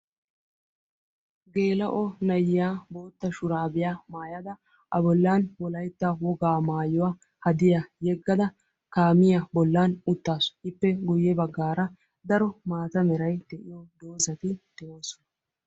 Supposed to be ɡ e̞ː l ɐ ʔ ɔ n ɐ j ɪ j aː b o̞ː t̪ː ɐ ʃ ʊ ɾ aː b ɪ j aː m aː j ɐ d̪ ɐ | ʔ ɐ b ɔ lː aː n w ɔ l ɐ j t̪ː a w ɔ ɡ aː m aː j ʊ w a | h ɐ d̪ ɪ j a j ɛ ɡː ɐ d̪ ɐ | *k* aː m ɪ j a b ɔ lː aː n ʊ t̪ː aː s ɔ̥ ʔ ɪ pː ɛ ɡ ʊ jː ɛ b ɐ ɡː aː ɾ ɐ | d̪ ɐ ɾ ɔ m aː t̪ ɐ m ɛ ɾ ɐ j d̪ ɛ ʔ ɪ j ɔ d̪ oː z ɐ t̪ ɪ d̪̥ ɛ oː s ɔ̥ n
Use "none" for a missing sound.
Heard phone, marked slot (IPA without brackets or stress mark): k